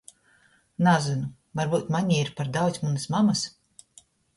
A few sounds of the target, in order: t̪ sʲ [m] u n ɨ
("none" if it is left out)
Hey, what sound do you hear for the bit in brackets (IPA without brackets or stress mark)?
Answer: m